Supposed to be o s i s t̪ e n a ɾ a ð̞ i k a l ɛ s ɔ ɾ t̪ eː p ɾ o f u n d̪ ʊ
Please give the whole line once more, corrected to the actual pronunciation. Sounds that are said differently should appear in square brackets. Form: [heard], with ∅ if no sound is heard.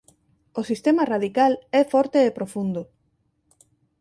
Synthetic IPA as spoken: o s i s t̪ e [m] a [r] a ð̞ i k a l ɛ [f] ɔ ɾ t̪ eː p ɾ o f u n d̪ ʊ